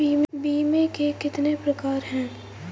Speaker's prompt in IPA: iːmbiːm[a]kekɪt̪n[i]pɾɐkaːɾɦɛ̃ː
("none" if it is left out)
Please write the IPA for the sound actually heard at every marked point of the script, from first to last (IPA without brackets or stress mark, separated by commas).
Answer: e, e